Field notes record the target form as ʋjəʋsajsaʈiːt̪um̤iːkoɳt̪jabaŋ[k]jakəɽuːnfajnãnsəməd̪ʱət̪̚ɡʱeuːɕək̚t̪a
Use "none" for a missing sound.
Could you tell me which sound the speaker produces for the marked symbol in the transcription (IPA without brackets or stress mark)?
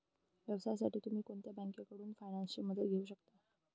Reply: k